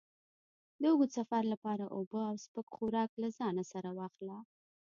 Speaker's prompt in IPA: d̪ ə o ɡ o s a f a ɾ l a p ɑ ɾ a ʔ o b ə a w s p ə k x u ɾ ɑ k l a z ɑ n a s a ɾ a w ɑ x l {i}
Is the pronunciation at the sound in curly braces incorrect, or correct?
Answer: incorrect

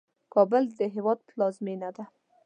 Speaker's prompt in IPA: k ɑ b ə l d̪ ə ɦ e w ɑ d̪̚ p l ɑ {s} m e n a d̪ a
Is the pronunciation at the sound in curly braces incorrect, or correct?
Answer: incorrect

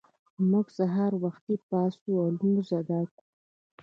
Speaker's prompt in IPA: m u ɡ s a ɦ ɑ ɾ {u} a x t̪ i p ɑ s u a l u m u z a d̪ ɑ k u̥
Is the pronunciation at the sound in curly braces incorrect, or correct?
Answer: incorrect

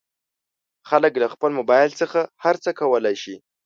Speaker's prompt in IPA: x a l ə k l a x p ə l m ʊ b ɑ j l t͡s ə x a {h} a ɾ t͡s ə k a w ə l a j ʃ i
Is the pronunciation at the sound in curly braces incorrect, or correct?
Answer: correct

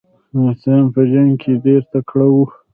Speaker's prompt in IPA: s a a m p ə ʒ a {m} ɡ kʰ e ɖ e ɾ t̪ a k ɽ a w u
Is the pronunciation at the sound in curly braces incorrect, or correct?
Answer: incorrect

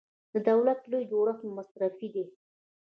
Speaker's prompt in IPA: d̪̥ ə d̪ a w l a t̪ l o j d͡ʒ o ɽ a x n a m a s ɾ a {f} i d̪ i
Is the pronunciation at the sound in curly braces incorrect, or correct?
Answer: correct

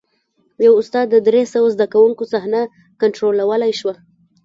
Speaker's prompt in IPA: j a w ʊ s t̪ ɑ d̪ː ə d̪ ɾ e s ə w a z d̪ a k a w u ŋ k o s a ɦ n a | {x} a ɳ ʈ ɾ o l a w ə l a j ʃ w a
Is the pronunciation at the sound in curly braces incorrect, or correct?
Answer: incorrect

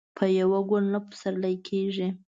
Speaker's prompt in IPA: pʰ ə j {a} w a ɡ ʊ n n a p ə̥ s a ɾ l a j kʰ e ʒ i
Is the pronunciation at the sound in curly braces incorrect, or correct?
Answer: correct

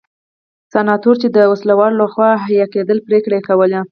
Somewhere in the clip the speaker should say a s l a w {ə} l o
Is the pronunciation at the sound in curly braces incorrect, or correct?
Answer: incorrect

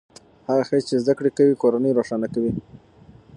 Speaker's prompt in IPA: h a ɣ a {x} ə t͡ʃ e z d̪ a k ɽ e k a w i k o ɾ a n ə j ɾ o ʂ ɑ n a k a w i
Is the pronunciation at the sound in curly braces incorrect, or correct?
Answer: correct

